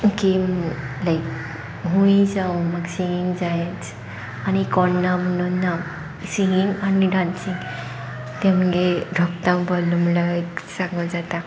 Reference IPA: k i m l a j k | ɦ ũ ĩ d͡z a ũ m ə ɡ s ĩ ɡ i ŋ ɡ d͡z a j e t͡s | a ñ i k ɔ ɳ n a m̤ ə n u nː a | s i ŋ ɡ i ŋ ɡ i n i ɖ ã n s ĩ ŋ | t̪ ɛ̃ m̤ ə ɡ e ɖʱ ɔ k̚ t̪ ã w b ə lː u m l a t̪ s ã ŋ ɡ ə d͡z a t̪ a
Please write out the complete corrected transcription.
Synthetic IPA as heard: k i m l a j k | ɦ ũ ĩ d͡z a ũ m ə ɡ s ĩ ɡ i ŋ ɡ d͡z a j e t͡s | a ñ i k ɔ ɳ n a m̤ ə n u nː a | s i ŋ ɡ i ŋ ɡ a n i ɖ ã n s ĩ ŋ | t̪ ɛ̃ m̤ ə ɡ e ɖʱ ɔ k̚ t̪ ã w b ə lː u m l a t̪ s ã ŋ ɡ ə d͡z a t̪ a

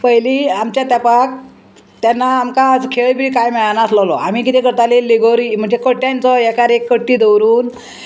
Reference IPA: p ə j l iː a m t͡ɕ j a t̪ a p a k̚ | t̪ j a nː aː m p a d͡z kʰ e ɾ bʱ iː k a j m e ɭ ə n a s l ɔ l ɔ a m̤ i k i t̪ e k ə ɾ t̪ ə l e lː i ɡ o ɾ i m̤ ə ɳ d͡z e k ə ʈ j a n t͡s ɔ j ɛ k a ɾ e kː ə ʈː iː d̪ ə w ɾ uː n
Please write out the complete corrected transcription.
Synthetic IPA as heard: p ə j l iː a m t͡ɕ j a t̪ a p a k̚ | t̪ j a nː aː m k a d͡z kʰ e ɭ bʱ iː k a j m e ɭ a n a s l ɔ l ɔ a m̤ i k i t̪ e k ə ɾ t̪ a l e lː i ɡ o ɾ i m̤ ə ɳ d͡z e k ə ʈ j a n t͡s ɔ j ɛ k a ɾ e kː ə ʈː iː d̪ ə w ɾ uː n

